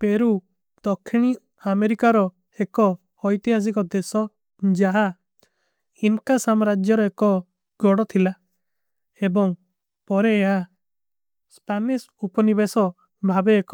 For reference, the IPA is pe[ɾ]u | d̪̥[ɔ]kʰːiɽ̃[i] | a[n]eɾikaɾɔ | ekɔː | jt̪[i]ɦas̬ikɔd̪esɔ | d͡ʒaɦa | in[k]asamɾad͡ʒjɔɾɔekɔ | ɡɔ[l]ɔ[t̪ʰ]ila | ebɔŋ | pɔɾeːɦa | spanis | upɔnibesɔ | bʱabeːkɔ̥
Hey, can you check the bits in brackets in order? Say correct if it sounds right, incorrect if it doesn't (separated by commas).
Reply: correct, correct, correct, incorrect, correct, correct, incorrect, correct